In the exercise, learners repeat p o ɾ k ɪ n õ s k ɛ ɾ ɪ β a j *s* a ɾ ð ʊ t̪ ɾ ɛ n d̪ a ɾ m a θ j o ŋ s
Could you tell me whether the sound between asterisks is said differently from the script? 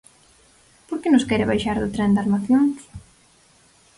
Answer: yes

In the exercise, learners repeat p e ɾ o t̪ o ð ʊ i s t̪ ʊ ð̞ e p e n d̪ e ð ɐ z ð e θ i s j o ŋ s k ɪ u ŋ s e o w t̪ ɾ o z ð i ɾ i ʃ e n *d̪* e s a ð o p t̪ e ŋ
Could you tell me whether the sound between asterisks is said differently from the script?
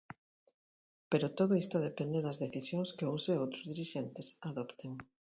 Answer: yes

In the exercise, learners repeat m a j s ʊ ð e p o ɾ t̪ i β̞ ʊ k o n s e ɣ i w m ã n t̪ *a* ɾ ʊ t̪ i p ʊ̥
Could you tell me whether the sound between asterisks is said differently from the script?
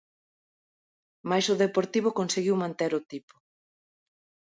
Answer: yes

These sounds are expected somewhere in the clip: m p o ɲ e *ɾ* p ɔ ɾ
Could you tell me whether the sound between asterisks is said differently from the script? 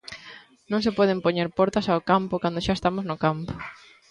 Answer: no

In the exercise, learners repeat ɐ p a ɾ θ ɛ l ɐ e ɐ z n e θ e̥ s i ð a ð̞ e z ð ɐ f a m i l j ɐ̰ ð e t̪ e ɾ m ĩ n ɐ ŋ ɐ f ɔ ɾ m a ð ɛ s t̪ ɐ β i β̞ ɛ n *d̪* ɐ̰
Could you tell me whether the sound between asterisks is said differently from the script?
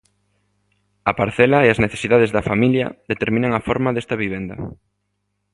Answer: no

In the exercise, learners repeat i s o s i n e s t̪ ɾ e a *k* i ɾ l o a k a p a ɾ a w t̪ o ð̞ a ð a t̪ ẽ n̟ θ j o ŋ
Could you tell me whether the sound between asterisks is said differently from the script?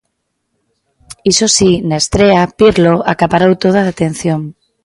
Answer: yes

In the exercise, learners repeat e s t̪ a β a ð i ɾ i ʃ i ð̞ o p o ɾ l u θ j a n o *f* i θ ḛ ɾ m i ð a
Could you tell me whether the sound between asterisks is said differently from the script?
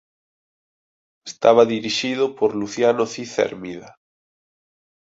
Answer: yes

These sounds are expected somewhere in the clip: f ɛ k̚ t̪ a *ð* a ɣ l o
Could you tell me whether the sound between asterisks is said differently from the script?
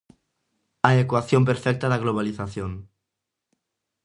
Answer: no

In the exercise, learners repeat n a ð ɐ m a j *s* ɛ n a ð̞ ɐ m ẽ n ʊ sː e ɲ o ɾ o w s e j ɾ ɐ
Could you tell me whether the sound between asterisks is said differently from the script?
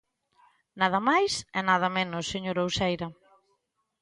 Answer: no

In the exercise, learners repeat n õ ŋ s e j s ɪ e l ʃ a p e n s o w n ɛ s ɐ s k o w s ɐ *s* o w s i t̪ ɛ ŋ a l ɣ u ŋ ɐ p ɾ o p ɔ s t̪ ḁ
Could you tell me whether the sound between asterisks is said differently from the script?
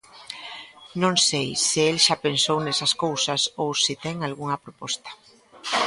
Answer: no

